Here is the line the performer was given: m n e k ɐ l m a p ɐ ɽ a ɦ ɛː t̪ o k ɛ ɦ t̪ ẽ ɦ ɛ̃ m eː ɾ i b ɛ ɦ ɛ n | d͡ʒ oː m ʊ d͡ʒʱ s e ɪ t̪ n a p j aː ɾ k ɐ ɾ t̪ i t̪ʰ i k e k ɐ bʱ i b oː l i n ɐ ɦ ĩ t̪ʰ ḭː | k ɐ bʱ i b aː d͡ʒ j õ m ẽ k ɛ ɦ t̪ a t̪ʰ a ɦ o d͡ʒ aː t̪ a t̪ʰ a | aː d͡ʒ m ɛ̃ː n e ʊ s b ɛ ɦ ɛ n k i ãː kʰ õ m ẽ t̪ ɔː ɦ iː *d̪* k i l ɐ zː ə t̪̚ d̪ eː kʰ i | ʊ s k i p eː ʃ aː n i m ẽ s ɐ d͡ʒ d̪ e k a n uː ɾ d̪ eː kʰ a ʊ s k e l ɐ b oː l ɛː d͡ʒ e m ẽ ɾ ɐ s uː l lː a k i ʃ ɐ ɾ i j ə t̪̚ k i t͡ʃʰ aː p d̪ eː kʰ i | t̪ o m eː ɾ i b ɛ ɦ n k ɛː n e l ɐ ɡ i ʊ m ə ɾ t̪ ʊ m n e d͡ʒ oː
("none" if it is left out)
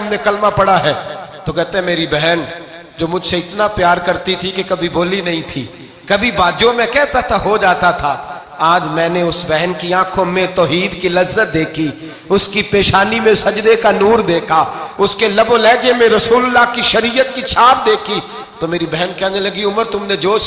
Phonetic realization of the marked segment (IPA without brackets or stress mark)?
d̪